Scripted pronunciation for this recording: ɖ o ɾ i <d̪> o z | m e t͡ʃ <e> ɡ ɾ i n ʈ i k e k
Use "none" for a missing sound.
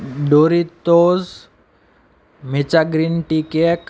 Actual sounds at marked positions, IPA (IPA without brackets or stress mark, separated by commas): t̪, a